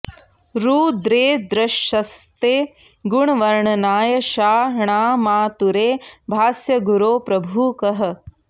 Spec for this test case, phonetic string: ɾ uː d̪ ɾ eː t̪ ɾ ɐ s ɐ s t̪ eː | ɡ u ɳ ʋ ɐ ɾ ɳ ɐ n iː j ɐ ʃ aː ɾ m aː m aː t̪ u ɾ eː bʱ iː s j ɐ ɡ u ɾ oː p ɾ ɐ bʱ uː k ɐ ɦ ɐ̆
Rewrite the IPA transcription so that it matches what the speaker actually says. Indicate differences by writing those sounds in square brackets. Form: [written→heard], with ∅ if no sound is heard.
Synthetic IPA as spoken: ɾ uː d̪ ɾ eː [t̪→d̪] ɾ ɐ [s→ʃ] ɐ s t̪ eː | ɡ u ɳ ʋ ɐ ɾ ɳ ɐ n [iː→aː] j ɐ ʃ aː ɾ [m→ɳ] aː m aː t̪ u ɾ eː bʱ [iː→aː] s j ɐ ɡ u ɾ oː p ɾ ɐ bʱ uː k ɐ ɦ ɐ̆